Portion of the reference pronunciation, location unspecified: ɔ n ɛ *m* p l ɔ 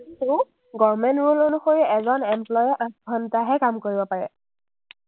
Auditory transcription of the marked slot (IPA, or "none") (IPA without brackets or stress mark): m